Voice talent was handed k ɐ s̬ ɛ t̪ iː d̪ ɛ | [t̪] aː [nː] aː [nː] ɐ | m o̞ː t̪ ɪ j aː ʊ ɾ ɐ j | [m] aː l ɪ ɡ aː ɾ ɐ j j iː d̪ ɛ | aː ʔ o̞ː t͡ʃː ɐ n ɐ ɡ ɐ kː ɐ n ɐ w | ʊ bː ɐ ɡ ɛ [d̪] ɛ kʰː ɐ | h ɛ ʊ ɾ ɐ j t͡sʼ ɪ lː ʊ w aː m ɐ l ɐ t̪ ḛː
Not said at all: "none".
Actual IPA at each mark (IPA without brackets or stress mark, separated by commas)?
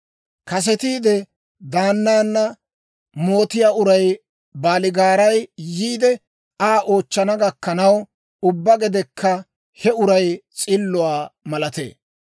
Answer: d̪, nː, nː, b, d̪